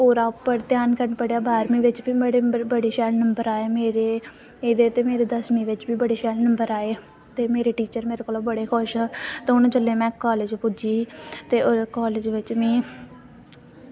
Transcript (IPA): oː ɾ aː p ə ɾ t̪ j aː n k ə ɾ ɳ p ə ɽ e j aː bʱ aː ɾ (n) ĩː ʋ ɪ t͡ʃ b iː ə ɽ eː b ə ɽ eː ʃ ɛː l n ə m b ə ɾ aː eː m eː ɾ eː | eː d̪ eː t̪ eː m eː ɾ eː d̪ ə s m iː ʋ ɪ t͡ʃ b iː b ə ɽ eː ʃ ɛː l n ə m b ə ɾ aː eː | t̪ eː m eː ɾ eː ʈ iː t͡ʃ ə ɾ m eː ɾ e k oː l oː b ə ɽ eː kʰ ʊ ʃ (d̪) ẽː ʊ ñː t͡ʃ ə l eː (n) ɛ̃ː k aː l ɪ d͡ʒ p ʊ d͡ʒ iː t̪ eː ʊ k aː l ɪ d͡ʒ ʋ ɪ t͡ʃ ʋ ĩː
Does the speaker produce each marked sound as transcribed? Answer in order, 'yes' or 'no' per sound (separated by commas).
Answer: no, no, no